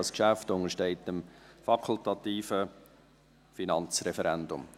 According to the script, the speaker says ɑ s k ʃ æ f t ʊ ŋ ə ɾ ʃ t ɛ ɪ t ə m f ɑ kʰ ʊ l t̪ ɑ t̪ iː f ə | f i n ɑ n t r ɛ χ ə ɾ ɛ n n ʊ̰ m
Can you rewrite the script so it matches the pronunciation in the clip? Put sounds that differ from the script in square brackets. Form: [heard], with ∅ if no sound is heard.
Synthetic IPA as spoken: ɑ s k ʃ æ f t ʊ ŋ ə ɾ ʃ t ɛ ɪ t ə m f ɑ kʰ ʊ l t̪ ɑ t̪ iː f ə | f i n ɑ n [t͡s] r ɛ [f] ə ɾ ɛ n [d] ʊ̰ m